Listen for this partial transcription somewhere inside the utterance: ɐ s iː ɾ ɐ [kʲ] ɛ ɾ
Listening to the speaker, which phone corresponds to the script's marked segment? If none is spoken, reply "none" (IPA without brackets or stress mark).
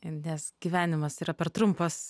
pʲ